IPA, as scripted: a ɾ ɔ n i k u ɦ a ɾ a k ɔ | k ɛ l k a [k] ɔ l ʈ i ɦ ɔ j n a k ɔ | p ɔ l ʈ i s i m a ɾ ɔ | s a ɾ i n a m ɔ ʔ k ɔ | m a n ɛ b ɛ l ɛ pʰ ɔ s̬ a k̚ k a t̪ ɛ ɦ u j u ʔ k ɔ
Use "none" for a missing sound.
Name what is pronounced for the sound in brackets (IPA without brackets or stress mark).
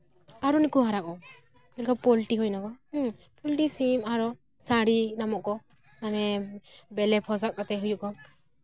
p